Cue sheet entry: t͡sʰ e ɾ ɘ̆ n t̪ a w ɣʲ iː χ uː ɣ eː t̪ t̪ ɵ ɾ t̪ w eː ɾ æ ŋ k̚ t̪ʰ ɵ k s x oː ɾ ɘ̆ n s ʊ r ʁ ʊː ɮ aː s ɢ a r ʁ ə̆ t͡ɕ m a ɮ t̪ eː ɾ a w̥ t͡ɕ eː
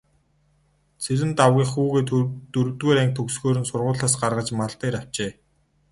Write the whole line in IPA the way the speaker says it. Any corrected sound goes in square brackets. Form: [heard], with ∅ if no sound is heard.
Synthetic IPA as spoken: t͡sʰ e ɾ ɘ̆ n t̪ a w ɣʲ iː χ uː ɣ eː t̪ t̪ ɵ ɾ t̪ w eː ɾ æ ŋ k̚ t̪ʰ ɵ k s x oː ɾ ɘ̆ n s ʊ r ʁ ʊː ɮ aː s ɢ a r ʁ ə̆ t͡ɕ m a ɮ t̪ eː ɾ a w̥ t͡ɕ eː